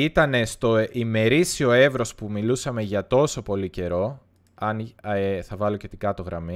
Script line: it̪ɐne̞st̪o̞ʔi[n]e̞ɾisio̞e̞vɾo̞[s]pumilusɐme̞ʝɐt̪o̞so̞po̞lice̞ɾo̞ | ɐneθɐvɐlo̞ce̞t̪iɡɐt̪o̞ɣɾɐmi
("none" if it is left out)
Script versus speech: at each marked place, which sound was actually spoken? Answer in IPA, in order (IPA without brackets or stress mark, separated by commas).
m, s